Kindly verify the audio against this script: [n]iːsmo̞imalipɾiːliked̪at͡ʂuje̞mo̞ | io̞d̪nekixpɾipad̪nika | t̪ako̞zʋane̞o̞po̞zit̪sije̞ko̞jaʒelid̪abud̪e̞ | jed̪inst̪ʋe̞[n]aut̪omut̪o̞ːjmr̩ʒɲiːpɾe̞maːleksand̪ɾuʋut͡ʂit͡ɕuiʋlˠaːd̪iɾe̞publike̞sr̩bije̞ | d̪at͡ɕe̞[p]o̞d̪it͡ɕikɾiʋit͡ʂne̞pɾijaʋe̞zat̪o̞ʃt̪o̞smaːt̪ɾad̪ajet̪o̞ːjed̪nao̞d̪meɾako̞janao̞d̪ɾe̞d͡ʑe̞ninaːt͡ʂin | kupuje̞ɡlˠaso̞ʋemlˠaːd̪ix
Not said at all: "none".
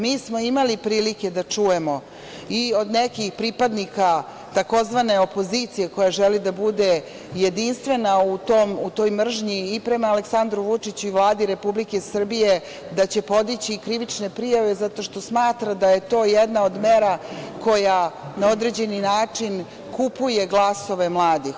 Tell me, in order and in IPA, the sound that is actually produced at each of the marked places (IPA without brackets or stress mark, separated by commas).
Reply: m, n, p